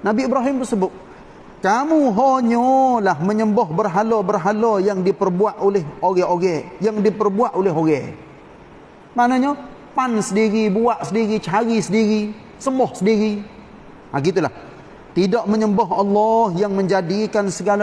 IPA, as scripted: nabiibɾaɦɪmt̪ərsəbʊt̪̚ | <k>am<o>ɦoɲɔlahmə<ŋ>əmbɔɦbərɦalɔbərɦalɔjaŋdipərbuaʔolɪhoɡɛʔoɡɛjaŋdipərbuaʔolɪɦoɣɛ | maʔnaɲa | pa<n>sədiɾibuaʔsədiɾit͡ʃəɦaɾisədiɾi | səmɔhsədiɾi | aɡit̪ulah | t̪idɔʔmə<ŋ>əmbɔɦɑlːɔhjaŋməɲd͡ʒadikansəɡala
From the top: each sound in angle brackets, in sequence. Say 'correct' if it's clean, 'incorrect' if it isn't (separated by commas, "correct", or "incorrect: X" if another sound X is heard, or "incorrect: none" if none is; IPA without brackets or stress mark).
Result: correct, incorrect: u, incorrect: ɲ, correct, incorrect: ɲ